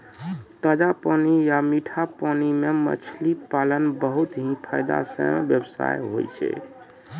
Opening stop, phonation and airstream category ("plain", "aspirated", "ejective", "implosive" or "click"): plain